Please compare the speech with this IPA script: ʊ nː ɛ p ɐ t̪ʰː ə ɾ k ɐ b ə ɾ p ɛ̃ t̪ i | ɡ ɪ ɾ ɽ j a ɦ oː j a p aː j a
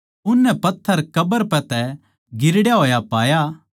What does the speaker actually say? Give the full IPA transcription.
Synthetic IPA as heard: ʊ nː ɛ p ɐ t̪ʰː ə ɾ k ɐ b ə ɾ p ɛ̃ t̪ ɛ | ɡ ɪ ɾ ɽ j a ɦ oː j a p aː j a